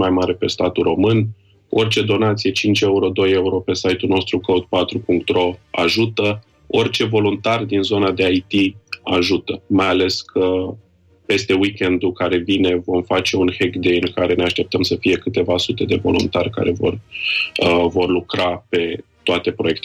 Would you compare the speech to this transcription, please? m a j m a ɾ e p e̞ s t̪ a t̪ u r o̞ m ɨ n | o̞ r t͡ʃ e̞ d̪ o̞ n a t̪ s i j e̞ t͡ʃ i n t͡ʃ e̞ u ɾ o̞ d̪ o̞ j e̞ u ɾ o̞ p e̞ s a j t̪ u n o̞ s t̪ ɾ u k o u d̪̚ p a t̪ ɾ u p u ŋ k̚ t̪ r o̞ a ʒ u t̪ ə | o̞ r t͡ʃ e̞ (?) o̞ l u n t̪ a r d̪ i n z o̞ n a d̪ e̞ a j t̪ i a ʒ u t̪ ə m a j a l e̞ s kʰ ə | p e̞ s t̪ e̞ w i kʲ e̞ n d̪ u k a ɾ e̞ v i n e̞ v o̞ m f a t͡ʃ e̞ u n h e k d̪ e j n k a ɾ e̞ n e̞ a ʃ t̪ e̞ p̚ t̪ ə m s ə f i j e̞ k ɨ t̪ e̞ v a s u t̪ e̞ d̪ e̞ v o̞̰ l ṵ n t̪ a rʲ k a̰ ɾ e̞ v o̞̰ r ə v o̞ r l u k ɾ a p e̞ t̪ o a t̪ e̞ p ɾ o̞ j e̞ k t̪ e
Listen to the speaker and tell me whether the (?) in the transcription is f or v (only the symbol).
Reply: v